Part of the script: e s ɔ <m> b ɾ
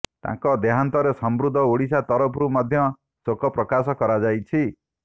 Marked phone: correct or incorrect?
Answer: correct